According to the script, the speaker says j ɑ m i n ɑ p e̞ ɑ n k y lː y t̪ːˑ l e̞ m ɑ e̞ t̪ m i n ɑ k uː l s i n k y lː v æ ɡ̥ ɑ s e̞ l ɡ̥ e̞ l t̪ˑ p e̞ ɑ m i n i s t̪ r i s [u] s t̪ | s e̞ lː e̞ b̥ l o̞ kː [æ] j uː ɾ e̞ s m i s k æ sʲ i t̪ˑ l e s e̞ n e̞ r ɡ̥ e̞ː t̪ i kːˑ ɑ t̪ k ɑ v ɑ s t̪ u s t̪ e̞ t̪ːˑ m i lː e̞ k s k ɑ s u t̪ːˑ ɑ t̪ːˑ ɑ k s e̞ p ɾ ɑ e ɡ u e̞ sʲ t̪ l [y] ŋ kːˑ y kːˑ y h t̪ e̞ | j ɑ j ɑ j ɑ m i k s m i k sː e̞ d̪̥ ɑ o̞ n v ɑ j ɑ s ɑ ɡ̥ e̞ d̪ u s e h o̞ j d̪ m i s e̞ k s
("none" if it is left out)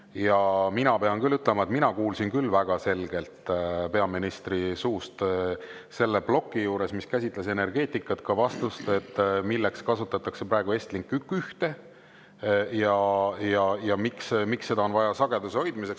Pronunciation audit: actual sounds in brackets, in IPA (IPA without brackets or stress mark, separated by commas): uː, i, i